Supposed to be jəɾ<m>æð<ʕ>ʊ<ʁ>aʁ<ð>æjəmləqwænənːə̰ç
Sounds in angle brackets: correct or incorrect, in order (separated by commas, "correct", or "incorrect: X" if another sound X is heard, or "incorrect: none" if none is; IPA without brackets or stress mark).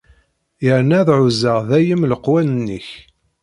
incorrect: n, correct, incorrect: z, correct